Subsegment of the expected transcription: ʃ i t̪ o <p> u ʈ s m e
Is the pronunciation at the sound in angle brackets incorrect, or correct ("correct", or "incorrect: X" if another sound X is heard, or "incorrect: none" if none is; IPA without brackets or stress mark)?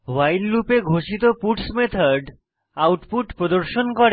correct